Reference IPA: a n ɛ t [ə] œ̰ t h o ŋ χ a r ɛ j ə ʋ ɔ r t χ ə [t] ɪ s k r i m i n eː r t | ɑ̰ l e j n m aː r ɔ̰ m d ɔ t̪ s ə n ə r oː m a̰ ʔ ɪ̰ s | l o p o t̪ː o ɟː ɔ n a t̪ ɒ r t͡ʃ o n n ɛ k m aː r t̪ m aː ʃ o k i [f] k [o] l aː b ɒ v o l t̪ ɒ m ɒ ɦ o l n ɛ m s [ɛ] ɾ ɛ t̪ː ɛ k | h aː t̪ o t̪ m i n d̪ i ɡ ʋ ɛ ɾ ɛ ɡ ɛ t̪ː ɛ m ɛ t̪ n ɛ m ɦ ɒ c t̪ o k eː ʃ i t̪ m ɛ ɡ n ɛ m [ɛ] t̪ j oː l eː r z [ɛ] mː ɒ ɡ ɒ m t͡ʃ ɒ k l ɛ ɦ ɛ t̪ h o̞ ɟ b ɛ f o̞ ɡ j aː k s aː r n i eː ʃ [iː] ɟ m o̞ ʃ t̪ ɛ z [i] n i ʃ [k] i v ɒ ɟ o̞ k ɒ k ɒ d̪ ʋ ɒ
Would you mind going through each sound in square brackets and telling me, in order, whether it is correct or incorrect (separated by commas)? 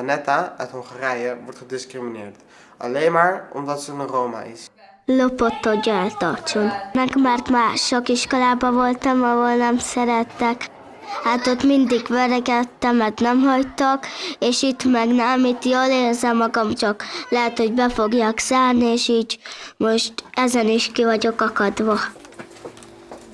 incorrect, incorrect, incorrect, correct, correct, incorrect, correct, correct, incorrect, correct